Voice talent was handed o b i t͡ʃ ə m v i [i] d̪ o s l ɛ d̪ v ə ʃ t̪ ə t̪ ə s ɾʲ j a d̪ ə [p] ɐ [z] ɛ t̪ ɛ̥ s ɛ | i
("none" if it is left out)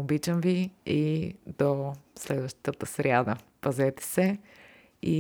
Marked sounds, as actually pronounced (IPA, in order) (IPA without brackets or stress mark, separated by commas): i, p, z